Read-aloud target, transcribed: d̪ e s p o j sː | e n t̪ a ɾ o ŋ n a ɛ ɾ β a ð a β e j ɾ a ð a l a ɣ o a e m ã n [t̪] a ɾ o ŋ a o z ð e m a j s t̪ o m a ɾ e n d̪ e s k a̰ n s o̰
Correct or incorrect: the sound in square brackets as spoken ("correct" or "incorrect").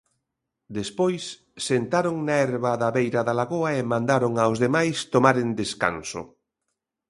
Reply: incorrect